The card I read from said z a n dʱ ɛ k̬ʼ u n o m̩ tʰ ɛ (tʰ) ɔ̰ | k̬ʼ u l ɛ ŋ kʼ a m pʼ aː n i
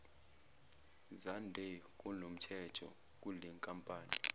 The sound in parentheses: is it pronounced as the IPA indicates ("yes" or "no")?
yes